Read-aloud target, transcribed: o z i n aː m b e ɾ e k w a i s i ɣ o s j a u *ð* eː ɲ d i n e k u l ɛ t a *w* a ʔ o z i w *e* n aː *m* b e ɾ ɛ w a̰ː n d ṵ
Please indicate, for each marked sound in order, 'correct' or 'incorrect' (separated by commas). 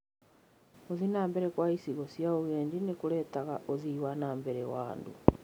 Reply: incorrect, incorrect, incorrect, correct